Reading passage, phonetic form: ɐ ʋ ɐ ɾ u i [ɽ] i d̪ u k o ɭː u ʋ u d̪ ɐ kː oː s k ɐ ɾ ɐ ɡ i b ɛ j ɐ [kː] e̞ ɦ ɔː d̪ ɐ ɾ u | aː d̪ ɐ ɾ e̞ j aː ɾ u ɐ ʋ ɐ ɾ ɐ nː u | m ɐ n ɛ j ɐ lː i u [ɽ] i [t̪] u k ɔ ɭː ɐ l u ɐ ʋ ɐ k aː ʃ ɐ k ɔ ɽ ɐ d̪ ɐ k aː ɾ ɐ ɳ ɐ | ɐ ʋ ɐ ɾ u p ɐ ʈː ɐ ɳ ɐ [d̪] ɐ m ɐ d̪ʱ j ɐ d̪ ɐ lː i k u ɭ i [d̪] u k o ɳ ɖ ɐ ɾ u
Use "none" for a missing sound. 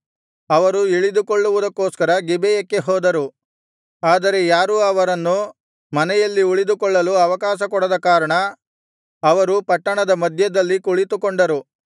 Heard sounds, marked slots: ɭ, kː, ɭ, d̪, d̪, t̪

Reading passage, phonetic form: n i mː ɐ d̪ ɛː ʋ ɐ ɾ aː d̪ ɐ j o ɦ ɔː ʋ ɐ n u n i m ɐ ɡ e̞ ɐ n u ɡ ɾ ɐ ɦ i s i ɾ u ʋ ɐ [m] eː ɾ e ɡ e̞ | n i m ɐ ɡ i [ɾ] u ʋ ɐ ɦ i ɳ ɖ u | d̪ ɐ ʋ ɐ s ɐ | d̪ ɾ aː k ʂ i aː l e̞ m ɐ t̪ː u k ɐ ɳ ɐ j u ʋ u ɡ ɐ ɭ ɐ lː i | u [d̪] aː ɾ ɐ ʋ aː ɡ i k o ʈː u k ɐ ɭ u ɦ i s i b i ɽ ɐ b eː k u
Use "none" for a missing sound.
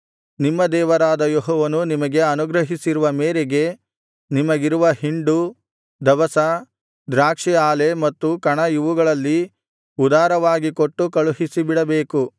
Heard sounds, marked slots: m, ɾ, d̪

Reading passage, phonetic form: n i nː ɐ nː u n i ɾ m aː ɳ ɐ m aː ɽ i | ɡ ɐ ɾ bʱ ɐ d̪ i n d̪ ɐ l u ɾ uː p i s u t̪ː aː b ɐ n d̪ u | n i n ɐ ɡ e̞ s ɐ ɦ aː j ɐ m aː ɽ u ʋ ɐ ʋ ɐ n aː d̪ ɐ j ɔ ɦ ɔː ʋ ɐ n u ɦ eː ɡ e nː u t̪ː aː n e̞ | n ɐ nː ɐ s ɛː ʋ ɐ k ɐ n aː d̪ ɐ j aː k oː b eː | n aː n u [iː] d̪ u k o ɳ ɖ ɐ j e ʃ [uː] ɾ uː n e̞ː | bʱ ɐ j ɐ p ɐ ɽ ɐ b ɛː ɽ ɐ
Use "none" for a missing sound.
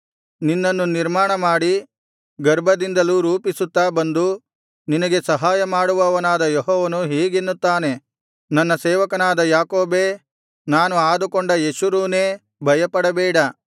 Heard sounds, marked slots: aː, u

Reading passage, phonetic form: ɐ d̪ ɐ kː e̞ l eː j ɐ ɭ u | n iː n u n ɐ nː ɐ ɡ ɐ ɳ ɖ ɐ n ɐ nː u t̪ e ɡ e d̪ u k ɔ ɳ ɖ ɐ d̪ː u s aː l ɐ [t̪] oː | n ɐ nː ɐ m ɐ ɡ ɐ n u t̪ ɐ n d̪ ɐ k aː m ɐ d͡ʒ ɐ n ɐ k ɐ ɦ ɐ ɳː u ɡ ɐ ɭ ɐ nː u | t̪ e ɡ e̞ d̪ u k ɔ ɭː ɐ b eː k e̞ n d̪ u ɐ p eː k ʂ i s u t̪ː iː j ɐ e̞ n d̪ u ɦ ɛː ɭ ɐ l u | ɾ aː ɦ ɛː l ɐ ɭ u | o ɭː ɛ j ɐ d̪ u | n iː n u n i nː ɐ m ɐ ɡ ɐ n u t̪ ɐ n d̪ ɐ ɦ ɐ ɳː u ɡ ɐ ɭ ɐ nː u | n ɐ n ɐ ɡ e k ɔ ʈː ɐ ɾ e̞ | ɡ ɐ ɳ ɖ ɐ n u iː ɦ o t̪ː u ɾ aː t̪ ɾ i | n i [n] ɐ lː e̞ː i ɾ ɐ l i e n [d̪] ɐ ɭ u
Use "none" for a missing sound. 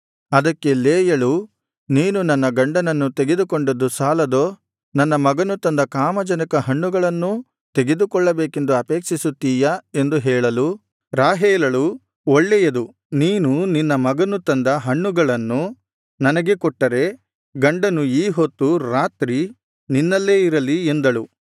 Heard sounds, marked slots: d̪, nː, d̪

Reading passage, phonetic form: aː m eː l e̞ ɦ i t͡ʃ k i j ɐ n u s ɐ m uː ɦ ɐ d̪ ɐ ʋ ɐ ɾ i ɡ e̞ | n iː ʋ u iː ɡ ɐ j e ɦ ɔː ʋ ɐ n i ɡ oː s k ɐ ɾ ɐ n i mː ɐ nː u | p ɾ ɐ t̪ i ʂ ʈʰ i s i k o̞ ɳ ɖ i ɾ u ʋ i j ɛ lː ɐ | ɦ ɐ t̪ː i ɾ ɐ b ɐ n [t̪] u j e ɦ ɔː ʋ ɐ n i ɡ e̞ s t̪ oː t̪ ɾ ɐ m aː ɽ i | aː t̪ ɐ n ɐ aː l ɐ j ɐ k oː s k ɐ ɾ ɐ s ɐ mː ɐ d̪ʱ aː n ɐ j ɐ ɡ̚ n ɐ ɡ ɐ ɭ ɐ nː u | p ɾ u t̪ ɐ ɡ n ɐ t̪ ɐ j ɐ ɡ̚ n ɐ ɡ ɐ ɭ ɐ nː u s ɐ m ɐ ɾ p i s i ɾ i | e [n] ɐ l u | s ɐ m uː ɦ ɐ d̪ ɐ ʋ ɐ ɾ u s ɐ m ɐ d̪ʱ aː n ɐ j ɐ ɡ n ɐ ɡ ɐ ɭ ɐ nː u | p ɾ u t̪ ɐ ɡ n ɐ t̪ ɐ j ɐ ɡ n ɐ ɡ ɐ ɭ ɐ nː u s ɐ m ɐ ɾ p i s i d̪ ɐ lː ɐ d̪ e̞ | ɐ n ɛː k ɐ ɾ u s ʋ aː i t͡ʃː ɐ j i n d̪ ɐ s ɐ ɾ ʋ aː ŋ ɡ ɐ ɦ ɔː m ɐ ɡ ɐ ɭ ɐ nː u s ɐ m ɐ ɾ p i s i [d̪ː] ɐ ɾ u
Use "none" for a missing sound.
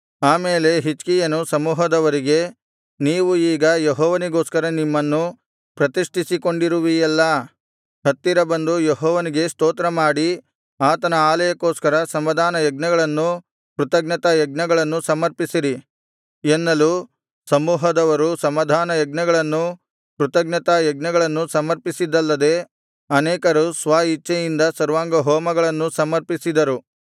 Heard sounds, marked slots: d̪, nː, d̪

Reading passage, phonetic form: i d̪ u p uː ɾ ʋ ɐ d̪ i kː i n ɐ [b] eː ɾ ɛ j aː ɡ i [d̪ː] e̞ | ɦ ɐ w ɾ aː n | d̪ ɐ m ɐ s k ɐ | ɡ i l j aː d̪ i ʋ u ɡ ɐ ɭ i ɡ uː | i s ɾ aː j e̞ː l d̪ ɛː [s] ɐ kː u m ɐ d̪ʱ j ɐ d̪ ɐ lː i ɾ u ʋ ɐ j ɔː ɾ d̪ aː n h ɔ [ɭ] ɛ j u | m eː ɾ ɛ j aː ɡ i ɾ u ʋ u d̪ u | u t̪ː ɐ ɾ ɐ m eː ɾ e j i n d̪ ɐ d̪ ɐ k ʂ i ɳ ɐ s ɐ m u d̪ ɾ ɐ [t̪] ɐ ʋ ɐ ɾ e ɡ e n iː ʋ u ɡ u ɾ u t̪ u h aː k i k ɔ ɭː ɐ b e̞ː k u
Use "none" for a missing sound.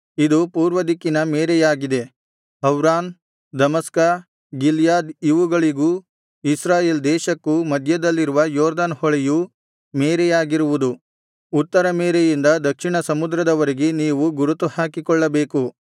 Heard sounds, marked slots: m, d̪, ʃ, ɭ, d̪

